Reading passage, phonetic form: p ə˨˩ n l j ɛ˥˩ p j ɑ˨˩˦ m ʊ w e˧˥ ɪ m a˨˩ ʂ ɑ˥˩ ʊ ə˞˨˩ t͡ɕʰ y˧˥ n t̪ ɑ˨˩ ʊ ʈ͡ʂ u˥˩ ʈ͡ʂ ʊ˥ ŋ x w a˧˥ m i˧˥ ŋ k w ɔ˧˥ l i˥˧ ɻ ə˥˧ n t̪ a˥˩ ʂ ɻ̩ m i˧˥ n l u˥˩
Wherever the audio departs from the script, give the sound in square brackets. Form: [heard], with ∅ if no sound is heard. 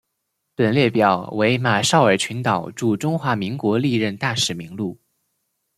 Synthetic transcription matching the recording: p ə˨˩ n l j ɛ˥˩ p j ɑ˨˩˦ [∅] ʊ w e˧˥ ɪ m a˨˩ ʂ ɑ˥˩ ʊ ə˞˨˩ t͡ɕʰ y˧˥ n t̪ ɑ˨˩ ʊ ʈ͡ʂ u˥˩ ʈ͡ʂ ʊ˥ ŋ x w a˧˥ m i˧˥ ŋ k w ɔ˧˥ l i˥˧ ɻ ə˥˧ n t̪ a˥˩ ʂ ɻ̩ m i˧˥ [ŋ] l u˥˩